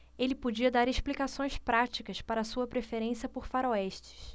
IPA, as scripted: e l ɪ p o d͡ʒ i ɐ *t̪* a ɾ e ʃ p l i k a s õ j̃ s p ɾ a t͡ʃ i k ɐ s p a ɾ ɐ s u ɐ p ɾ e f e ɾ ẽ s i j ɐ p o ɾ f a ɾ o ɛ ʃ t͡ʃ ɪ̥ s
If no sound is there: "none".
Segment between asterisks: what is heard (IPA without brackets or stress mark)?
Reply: d̪